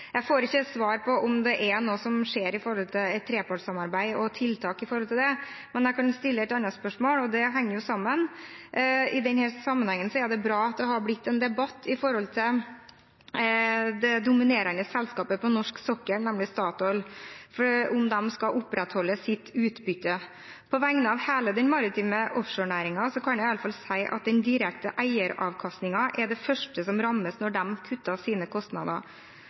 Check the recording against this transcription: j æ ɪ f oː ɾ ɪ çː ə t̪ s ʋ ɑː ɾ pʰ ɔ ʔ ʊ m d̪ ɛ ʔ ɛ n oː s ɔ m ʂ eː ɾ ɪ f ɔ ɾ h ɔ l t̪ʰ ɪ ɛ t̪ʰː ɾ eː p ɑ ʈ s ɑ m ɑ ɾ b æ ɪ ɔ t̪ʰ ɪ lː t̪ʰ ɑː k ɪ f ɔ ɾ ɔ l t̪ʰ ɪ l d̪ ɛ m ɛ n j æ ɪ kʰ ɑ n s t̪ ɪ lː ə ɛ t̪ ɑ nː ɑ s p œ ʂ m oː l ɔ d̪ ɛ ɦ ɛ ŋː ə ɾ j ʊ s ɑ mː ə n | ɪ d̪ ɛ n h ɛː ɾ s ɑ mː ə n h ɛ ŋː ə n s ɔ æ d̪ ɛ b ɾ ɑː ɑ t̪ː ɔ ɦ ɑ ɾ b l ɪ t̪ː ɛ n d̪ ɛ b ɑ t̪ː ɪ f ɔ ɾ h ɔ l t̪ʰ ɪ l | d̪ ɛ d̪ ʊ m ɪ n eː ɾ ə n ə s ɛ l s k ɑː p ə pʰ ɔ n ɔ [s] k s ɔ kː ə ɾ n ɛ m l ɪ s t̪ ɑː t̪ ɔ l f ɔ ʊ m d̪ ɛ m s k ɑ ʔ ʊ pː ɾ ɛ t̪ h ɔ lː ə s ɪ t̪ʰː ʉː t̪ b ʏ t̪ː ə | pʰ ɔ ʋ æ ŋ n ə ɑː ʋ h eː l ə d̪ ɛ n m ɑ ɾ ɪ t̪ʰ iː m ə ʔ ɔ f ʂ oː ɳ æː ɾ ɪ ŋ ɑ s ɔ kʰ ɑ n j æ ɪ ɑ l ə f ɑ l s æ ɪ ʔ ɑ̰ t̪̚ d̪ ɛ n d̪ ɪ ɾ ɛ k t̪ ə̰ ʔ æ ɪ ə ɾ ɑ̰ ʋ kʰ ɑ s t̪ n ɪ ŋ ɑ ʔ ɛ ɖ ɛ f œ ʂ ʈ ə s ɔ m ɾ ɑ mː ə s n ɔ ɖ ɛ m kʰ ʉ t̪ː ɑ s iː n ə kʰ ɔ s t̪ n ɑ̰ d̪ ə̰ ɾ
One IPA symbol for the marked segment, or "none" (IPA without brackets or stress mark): ʂ